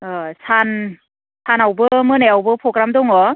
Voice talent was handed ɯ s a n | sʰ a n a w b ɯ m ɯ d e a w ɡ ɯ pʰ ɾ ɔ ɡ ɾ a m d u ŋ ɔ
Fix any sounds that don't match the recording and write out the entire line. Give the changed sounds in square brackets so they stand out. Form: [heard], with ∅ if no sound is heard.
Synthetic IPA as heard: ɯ s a n | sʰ a n a w b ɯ m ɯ [n] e a w [b] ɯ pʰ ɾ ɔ ɡ ɾ a m d [ɔ] ŋ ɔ